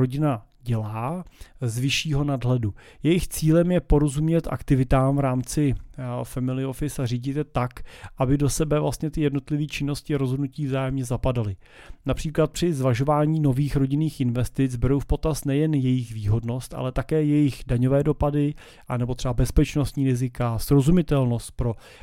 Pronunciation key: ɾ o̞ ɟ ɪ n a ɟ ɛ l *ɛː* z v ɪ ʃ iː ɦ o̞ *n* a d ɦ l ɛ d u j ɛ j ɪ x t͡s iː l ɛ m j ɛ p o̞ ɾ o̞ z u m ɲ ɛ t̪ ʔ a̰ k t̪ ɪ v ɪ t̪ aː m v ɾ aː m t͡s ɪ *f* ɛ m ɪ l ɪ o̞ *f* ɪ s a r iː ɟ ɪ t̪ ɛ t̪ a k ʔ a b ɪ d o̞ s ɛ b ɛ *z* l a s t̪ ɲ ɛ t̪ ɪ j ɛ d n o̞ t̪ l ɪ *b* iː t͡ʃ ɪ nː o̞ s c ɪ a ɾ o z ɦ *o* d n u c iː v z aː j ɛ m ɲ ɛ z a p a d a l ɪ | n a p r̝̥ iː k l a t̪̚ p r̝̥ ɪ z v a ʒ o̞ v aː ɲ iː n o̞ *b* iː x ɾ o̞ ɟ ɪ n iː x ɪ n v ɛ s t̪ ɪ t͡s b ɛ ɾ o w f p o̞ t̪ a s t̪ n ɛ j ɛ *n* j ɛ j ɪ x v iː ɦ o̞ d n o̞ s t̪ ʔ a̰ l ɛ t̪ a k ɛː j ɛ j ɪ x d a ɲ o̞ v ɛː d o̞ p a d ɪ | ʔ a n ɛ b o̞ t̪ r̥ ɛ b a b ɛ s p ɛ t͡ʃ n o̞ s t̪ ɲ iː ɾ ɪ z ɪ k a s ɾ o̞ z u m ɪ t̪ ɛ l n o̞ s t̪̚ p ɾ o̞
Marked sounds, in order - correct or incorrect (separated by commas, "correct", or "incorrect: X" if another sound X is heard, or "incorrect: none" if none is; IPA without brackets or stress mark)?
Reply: incorrect: aː, correct, correct, correct, incorrect: v, incorrect: v, correct, incorrect: v, correct